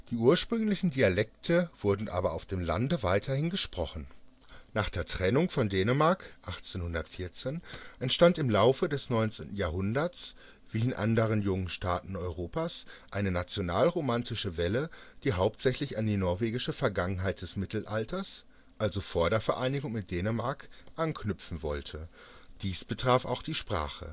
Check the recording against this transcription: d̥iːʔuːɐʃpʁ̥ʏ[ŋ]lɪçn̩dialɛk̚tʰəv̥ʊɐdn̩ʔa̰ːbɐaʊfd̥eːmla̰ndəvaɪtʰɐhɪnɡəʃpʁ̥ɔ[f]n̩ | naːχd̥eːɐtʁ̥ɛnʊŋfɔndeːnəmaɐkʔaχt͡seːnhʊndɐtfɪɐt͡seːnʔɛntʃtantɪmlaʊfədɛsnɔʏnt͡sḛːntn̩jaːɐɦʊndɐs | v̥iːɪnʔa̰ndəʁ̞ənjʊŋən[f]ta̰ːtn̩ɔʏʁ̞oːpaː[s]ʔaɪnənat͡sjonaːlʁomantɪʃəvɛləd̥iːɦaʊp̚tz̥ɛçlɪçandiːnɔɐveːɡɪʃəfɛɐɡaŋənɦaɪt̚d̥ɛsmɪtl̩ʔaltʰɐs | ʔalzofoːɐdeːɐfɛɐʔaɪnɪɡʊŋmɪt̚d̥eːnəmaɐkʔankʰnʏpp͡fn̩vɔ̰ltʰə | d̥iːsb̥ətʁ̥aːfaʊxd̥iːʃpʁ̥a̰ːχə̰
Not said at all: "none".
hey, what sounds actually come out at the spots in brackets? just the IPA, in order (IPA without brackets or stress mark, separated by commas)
ŋ, χ, ʃ, s